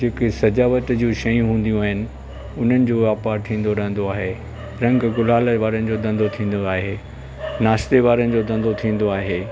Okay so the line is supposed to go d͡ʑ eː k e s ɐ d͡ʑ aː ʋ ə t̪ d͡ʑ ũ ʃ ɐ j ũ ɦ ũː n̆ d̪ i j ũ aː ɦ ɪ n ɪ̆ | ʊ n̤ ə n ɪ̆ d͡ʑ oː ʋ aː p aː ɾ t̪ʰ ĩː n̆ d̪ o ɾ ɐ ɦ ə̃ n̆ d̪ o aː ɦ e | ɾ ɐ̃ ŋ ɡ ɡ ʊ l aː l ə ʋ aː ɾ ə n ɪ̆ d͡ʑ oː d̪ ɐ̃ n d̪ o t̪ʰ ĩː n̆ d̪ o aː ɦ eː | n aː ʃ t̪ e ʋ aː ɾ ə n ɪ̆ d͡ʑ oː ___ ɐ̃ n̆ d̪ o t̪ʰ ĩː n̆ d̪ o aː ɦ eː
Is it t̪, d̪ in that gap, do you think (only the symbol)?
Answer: d̪